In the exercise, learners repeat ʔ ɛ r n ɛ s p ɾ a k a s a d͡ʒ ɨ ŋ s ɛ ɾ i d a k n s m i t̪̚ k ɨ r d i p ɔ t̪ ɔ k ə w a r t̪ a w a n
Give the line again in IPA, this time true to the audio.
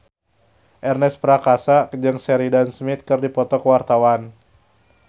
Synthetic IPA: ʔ ɛ r n ɛ s p ɾ a k a s a d͡ʒ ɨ ŋ s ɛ ɾ i d a n s m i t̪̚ k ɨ r d i p ɔ t̪ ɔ k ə w a r t̪ a w a n